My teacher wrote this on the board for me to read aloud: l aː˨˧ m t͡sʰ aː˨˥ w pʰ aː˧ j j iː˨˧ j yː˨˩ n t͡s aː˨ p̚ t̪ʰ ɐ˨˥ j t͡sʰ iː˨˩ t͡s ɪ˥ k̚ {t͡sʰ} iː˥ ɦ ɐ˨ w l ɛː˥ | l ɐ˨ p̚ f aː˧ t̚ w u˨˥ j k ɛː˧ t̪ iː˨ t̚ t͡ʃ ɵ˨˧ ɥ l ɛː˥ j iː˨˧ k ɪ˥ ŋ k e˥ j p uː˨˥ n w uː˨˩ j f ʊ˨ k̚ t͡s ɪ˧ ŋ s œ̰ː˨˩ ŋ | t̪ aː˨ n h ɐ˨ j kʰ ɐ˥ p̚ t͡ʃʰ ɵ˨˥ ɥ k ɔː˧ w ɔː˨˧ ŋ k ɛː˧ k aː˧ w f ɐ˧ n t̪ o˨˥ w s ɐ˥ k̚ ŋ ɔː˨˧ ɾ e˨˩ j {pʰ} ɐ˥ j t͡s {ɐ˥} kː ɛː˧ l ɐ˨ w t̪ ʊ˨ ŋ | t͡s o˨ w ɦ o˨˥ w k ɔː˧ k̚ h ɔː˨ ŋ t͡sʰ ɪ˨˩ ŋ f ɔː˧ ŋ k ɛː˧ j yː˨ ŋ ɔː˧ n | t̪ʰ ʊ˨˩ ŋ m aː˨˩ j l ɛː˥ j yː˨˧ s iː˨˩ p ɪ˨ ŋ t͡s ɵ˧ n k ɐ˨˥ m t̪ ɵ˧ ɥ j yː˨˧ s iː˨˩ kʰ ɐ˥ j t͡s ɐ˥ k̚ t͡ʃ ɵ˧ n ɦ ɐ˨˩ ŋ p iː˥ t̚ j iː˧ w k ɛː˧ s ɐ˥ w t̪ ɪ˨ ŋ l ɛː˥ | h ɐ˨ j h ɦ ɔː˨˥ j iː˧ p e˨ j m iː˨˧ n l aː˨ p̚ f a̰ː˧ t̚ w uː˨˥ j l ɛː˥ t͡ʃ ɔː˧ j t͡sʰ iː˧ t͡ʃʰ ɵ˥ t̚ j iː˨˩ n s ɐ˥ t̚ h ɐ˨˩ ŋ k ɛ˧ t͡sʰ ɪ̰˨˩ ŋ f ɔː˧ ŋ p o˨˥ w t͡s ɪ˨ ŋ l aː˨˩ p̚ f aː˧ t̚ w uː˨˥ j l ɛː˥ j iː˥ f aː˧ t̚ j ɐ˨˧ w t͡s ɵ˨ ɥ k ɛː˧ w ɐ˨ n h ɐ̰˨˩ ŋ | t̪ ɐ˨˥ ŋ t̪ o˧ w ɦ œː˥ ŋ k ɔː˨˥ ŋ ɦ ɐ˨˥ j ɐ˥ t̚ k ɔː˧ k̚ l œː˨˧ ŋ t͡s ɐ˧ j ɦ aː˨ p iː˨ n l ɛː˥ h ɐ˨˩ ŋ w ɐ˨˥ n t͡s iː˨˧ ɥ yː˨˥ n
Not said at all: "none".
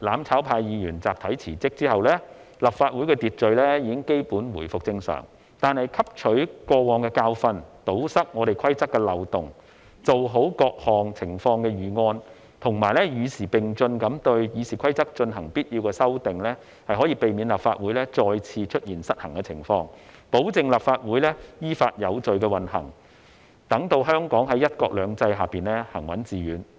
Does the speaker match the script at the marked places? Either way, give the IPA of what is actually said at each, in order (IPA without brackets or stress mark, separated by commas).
t͡s, kʰ, ɐ˥